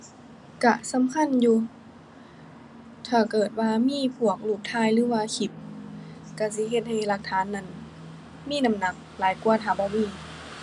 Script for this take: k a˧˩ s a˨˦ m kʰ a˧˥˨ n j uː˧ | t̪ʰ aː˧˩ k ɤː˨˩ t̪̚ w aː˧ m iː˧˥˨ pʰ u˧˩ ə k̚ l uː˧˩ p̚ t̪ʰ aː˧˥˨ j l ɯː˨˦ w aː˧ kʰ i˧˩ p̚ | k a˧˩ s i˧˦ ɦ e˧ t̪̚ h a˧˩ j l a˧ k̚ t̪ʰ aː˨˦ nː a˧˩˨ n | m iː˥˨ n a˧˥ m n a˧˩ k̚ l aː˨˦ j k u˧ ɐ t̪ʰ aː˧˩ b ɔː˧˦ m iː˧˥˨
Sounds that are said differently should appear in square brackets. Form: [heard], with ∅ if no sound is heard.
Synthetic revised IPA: k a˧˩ s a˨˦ m kʰ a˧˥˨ n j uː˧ | t̪ʰ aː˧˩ k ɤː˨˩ t̪̚ w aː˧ m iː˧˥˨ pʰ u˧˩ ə k̚ l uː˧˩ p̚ t̪ʰ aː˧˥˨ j l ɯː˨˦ w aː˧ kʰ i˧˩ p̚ | k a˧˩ s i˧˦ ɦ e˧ t̪̚ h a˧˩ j l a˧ k̚ t̪ʰ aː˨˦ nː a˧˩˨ n | m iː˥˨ n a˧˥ m n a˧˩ k̚ l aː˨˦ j k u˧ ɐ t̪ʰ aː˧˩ b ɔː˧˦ m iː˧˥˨

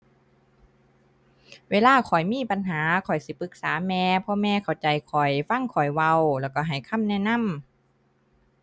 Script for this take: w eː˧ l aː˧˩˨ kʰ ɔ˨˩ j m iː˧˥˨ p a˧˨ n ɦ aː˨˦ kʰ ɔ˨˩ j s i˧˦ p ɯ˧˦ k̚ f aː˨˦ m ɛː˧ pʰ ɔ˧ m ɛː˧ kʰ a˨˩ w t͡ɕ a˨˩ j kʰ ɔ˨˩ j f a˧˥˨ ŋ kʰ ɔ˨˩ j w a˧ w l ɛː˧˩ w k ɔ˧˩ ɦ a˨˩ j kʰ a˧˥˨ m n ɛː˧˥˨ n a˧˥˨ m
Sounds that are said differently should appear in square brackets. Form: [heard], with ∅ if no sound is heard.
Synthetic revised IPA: w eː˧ l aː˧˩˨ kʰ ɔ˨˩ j m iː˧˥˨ p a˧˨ n ɦ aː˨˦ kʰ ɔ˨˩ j s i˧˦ p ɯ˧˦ k̚ [s] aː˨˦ m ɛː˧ pʰ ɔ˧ m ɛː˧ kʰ a˨˩ w t͡ɕ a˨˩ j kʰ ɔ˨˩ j f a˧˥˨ ŋ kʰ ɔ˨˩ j w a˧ w l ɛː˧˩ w k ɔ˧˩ ɦ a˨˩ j kʰ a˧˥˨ m n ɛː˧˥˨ n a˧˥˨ m

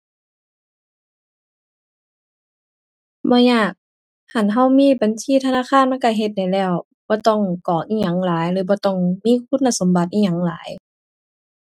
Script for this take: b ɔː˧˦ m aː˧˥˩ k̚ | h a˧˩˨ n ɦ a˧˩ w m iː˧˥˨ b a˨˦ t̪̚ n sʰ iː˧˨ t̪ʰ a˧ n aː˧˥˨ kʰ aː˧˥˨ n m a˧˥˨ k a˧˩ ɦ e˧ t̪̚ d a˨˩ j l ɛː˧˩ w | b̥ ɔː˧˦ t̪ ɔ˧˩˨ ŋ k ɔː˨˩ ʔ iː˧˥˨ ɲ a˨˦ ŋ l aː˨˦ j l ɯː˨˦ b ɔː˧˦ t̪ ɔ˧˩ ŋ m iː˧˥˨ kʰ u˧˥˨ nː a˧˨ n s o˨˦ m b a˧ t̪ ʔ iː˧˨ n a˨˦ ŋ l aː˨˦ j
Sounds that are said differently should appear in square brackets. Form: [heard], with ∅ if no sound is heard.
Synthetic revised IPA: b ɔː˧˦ [ɲ] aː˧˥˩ k̚ | h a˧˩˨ n ɦ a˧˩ w m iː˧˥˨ b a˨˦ [∅] n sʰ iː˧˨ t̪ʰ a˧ n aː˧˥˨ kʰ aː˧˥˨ n m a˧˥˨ k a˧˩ ɦ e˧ t̪̚ d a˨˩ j l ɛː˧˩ w | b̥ ɔː˧˦ t̪ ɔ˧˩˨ ŋ k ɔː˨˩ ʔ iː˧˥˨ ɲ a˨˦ ŋ l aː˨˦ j l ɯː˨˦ b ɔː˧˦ t̪ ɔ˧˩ ŋ m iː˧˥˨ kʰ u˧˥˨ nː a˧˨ [∅] s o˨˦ m b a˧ t̪ ʔ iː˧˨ [ɲ] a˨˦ ŋ l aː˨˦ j

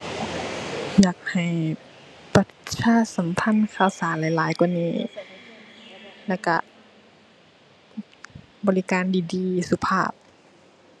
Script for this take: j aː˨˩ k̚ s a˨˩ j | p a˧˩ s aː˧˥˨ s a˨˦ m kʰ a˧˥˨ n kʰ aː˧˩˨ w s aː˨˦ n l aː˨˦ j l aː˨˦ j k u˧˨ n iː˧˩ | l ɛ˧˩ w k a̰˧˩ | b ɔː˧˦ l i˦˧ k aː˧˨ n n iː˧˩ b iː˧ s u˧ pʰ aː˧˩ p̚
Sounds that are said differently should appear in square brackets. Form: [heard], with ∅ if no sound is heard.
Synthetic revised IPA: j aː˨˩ k̚ [h] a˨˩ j | p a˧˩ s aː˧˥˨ s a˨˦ m [pʰ] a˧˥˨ n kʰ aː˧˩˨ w s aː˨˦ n l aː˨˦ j l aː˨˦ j k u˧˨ n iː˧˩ | l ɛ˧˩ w k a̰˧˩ | b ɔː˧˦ l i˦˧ k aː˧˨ n [d] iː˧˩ [d] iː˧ s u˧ pʰ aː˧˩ p̚

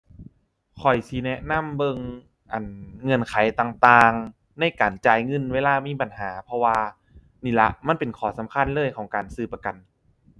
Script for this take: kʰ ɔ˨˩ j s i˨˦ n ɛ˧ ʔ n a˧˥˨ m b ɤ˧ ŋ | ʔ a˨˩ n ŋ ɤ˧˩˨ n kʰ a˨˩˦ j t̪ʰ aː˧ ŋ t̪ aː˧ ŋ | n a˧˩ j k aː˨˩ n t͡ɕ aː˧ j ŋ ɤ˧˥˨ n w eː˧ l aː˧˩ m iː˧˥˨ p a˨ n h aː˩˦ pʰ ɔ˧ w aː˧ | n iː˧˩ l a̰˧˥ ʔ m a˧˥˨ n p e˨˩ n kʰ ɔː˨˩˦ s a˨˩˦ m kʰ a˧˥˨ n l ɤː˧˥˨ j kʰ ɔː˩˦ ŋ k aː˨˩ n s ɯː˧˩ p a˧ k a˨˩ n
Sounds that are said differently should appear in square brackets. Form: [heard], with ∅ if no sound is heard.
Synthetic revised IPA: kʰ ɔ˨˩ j s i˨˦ n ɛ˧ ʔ n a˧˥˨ m b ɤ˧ ŋ | ʔ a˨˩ n ŋ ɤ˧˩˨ n kʰ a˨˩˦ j [t̪] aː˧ ŋ t̪ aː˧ ŋ | n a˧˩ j k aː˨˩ n t͡ɕ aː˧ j ŋ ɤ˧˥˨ n w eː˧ l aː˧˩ m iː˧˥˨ p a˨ n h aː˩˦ pʰ ɔ˧ w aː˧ | n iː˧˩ l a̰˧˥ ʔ m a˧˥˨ n p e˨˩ n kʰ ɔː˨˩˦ s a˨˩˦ m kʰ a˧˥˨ n l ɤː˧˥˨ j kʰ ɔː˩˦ ŋ k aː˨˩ n s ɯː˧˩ p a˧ k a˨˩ n

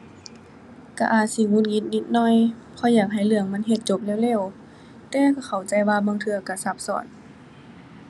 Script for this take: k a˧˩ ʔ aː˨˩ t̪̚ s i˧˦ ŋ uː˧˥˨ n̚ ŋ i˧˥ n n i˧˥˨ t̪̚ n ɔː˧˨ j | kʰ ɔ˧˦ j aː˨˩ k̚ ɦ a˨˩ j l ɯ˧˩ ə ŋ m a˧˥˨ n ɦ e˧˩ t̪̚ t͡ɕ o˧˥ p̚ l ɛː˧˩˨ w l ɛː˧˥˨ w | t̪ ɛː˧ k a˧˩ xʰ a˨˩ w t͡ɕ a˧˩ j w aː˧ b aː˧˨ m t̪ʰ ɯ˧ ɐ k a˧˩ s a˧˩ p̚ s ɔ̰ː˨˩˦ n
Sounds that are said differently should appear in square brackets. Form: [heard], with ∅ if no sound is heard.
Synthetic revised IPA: k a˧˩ ʔ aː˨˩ t̪̚ s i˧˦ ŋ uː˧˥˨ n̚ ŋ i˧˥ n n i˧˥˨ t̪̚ n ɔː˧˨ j | [pʰ] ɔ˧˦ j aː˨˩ k̚ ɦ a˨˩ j l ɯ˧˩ ə ŋ m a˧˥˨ n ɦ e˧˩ t̪̚ t͡ɕ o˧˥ p̚ l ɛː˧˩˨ w l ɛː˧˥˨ w | t̪ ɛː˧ k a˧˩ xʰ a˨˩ w t͡ɕ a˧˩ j w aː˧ b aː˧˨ [ŋ] t̪ʰ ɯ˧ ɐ k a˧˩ s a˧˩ p̚ s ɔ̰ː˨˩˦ n

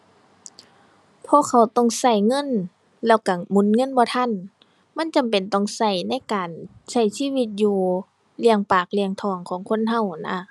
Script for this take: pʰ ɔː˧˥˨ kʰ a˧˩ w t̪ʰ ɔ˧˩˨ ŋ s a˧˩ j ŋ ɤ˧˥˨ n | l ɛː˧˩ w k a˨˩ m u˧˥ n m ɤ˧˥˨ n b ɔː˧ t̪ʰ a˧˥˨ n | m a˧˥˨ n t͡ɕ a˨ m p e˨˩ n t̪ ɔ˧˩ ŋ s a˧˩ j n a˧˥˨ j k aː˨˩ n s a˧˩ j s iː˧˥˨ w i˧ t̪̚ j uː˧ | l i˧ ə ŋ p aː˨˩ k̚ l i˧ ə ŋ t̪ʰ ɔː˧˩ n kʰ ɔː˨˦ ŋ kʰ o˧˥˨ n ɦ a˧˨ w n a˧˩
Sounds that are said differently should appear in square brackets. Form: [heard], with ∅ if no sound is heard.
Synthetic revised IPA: pʰ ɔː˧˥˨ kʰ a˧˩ w [t̪] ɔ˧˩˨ ŋ s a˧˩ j ŋ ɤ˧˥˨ n | l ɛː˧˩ w k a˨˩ m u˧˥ n [ŋ] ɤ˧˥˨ n b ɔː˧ t̪ʰ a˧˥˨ n | m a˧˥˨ n t͡ɕ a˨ m p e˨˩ n t̪ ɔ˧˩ ŋ s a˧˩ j n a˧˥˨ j k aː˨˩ n s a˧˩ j s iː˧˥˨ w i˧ t̪̚ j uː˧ | l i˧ ə ŋ p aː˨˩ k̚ l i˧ ə ŋ t̪ʰ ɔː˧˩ [ŋ] kʰ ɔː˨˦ ŋ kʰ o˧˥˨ n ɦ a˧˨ w n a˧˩

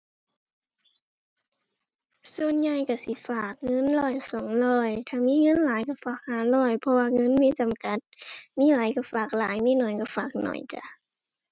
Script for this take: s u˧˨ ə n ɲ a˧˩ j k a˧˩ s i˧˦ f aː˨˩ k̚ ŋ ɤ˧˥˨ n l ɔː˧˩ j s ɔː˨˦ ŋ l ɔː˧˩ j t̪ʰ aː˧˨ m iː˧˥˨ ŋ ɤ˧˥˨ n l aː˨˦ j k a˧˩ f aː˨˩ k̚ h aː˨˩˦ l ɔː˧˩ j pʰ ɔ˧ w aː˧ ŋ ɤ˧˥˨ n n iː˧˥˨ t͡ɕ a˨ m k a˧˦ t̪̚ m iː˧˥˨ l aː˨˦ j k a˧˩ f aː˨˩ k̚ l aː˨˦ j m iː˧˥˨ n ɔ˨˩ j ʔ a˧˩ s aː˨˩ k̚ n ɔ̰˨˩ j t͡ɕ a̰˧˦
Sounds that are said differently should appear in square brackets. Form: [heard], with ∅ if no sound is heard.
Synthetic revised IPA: s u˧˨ ə n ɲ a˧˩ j k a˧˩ s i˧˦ f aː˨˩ k̚ ŋ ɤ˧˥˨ n l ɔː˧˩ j s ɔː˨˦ ŋ l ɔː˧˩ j t̪ʰ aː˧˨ m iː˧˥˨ ŋ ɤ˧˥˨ n l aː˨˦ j k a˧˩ f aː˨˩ k̚ h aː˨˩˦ l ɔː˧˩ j pʰ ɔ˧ w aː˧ ŋ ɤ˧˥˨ n [m] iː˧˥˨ t͡ɕ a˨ m k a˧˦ t̪̚ m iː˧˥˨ l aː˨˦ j k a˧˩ f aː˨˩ k̚ l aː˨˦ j m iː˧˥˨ n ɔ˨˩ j [k] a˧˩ [f] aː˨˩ k̚ n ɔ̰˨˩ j t͡ɕ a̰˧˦

